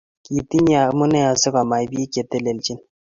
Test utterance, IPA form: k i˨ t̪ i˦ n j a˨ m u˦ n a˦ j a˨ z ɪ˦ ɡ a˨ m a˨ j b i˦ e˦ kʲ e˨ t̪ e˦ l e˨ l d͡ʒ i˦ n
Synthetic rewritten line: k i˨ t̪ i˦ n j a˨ m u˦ n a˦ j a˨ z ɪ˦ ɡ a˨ m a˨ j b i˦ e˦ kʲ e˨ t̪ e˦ l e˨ l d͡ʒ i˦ n